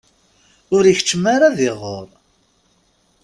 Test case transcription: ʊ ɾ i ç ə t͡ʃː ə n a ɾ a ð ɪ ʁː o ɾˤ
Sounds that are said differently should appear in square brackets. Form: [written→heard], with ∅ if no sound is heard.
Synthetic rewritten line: ʊ ɾ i ç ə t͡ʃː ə [n→m] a ɾ a ð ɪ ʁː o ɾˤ